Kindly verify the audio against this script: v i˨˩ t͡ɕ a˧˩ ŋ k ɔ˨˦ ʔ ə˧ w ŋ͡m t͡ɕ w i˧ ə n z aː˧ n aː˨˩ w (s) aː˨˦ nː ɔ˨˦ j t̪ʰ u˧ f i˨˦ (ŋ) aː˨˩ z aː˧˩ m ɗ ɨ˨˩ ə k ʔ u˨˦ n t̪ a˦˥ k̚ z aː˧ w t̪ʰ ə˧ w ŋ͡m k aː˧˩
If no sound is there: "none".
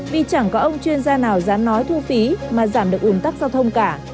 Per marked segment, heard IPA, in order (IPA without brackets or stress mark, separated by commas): z, m